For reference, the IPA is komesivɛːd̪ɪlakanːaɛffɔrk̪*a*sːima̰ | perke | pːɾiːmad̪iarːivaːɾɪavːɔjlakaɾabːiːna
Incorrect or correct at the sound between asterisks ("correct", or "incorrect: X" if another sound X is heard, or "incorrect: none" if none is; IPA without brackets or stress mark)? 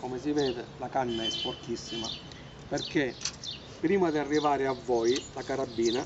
incorrect: i